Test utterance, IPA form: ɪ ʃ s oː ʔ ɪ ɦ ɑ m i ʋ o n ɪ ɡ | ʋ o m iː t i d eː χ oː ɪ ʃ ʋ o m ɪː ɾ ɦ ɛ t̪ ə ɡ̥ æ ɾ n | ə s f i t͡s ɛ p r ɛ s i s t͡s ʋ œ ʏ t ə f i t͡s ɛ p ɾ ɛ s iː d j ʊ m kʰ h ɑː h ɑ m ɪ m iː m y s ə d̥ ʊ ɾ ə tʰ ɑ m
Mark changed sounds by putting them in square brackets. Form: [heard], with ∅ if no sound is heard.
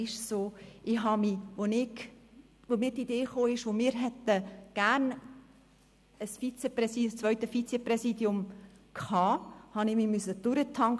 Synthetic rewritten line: ɪ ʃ s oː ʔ ɪ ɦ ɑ m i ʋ o n ɪ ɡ | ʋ o m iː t i d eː χ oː ɪ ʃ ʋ o m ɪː ɾ ɦ ɛ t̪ ə ɡ̥ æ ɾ n | ə s f i t͡s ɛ p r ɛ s i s t͡s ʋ œ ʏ t ə f i t͡s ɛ p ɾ ɛ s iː d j ʊ m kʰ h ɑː h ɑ [n] ɪ m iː m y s ə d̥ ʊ ɾ ə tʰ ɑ [ŋ]